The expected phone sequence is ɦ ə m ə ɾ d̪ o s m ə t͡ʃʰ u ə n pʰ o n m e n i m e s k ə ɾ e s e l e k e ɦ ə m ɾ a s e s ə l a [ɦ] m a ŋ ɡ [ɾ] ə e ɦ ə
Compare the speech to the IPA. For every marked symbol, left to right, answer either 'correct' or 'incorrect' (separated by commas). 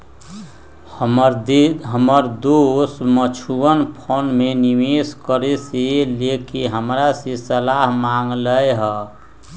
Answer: correct, incorrect